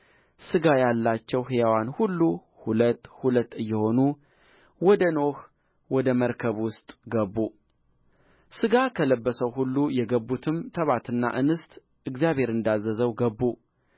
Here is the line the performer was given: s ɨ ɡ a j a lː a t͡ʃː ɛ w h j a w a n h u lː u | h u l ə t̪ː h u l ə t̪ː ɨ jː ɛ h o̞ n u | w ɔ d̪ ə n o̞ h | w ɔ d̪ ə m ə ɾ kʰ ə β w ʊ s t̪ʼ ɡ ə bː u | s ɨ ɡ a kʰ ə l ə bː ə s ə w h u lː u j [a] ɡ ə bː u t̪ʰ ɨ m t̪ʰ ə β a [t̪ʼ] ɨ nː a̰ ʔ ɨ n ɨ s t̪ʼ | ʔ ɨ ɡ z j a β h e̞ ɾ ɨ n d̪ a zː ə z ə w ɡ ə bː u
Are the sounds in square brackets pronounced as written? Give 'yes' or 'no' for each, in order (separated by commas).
no, no